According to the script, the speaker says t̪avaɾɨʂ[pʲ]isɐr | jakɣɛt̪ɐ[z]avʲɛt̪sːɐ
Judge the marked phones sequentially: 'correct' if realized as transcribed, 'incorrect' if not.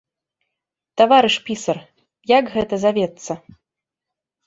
correct, correct

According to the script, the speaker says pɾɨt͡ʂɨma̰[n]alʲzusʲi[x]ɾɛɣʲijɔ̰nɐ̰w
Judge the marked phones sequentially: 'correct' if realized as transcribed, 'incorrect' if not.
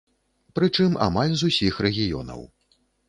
incorrect: m, correct

